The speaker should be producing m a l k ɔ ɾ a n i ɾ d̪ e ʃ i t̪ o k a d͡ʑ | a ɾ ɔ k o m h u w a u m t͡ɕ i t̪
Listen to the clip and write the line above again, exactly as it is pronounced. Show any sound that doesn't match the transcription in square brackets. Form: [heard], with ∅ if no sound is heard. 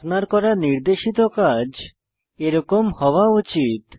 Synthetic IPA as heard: [n] a [ɾ] k ɔ ɾ a n i ɾ d̪ e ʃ i t̪ o k a d͡ʑ | [e] ɾ ɔ k o m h [ɔ] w a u [∅] t͡ɕ i t̪

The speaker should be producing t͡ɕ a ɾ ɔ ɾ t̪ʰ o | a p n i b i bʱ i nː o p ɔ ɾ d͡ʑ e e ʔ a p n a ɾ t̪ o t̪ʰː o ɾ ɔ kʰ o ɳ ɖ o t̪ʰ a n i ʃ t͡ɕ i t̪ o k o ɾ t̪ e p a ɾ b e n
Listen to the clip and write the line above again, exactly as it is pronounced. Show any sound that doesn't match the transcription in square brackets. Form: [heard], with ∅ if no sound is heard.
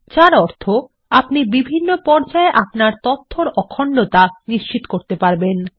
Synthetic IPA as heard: t͡ɕ a ɾ ɔ ɾ t̪ʰ o | a p n i b i bʱ i nː o p ɔ ɾ d͡ʑ [a] e ʔ a p n a ɾ t̪ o t̪ʰː o ɾ ɔ kʰ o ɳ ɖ o [t̪] a n i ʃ t͡ɕ i t̪ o k o ɾ t̪ e p a ɾ b e n

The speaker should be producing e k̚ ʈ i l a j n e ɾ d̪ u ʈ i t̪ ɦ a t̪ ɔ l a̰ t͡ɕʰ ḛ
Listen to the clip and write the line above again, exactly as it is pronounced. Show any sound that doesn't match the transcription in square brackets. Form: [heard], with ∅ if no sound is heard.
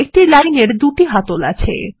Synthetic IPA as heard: e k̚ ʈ i l a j n e ɾ d̪ u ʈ i [∅] ɦ a t̪ [o] l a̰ t͡ɕʰ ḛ

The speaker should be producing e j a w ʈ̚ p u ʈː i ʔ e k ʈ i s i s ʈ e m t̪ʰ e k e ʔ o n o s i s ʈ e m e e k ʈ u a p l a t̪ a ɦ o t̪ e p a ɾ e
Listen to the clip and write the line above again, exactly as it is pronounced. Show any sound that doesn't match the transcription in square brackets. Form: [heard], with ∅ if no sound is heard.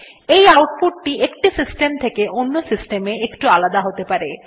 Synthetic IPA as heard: e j a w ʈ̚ p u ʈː i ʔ e k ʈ i s i s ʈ e m t̪ʰ e k e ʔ o [nː] o s i s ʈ e m e e k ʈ u a [∅] l a [d̪] a ɦ o t̪ e p a ɾ e

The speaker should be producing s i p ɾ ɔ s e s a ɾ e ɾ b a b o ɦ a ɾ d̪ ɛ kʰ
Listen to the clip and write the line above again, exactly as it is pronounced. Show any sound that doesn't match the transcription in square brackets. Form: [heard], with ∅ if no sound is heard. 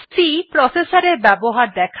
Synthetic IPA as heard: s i p ɾ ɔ s e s a ɾ e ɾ b [ɛ] b o ɦ a ɾ d̪ ɛ kʰ

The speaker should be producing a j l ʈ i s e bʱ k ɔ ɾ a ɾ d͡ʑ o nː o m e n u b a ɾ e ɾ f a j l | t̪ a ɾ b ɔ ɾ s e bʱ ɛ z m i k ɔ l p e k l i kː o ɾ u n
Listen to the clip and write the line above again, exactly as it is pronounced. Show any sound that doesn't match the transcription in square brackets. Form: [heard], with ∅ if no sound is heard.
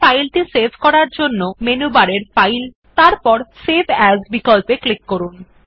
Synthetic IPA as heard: a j l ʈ i s e bʱ k ɔ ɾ a ɾ d͡ʑ o nː o m e n u b a ɾ e ɾ f a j l | t̪ a ɾ [p] ɔ ɾ s e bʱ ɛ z [b] i k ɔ l p e k l i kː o ɾ u n

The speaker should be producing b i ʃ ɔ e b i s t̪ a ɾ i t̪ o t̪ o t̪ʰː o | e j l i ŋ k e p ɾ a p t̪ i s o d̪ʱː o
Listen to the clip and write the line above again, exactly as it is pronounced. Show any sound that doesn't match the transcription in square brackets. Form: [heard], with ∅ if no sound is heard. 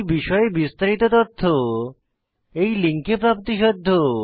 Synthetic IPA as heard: b i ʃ ɔ e b i s t̪ a ɾ i t̪ o t̪ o t̪ʰː o | e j l i ŋ k e p ɾ a p t̪ i [ʃ] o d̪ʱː o

